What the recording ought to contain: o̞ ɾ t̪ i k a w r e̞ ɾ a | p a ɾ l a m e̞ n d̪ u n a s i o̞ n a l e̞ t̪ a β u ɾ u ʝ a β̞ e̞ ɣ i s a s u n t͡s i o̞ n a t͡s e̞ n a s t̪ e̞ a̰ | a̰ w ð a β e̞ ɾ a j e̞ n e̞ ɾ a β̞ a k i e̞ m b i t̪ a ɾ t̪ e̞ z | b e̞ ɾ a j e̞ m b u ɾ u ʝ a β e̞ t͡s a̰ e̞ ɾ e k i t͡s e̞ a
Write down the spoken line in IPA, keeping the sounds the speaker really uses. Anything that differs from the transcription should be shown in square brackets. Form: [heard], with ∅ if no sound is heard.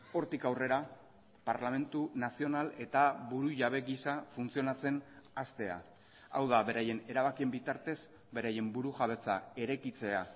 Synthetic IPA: o̞ ɾ t̪ i k a w r e̞ ɾ a | p a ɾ l a m e̞ n [t̪] u n a s i o̞ n a l e̞ t̪ a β u ɾ u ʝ a β̞ e̞ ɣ i s a [f] u n t͡s i o̞ n a t͡s e̞ n a s t̪ e̞ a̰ | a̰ w ð a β e̞ ɾ a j e̞ n e̞ ɾ a β̞ a k i e̞ m b i t̪ a ɾ t̪ e̞ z | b e̞ ɾ a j e̞ m b u ɾ u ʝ a β e̞ t͡s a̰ e̞ ɾ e k i t͡s e̞ a